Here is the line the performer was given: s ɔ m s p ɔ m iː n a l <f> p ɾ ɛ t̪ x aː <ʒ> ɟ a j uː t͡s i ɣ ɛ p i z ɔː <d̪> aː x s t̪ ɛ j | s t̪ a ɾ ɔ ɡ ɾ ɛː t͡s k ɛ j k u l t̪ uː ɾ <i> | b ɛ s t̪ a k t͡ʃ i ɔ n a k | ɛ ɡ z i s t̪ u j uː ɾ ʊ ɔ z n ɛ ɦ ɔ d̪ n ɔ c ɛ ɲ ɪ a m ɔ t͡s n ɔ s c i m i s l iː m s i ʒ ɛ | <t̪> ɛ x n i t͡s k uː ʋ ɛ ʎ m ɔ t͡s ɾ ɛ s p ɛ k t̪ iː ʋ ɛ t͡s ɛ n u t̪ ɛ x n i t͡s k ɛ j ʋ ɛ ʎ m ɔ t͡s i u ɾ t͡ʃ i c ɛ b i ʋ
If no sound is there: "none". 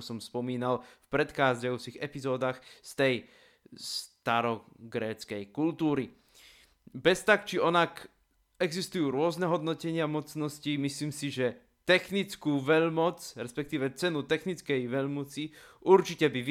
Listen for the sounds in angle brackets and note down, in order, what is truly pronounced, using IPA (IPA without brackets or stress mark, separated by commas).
f, z, d̪, i, t̪